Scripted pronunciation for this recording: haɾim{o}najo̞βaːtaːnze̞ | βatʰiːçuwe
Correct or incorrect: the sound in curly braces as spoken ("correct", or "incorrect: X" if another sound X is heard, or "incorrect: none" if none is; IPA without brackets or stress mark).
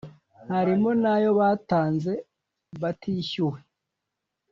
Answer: correct